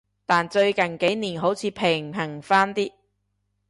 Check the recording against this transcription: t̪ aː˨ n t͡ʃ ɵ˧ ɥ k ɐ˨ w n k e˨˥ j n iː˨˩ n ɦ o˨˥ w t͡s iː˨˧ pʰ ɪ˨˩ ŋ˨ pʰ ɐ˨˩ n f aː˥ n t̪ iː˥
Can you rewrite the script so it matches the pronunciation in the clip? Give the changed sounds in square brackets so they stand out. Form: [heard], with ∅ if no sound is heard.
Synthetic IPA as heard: t̪ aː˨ n t͡ʃ ɵ˧ ɥ k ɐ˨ [∅] n k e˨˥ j n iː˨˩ n ɦ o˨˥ w [t͡sʰ] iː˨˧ pʰ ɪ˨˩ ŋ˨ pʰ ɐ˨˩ [ŋ] f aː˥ n t̪ iː˥